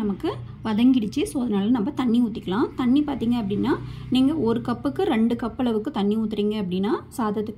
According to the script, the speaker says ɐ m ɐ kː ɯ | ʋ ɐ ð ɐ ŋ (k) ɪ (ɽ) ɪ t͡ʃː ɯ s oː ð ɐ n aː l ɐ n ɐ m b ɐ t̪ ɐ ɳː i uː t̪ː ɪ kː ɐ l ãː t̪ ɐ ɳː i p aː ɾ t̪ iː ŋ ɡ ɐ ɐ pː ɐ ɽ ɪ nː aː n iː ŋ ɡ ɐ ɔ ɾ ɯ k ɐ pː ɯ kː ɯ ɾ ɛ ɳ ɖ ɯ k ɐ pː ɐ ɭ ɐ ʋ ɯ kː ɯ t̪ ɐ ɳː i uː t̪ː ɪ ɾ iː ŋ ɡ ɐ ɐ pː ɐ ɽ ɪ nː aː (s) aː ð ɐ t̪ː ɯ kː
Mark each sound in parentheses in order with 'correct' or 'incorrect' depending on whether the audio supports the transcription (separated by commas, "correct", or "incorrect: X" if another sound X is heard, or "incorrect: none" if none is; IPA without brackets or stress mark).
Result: incorrect: ɡ, correct, correct